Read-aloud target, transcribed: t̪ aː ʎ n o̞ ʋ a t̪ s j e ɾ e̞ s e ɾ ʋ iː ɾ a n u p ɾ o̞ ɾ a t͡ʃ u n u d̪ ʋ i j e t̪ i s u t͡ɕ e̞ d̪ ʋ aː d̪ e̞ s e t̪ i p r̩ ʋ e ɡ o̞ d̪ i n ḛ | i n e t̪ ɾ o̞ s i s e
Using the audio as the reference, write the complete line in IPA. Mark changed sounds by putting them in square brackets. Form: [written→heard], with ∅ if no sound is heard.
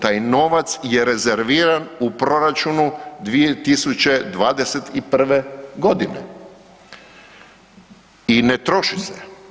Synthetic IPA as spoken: t̪ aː [ʎ→j] n o̞ ʋ a t̪ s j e ɾ e̞ [s→z] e ɾ ʋ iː ɾ a n u p ɾ o̞ ɾ a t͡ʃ u n u d̪ ʋ i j e t̪ i s u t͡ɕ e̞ d̪ ʋ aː d̪ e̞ s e t̪ i p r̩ ʋ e ɡ o̞ d̪ i n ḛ | i n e t̪ ɾ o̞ [s→ʃ] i s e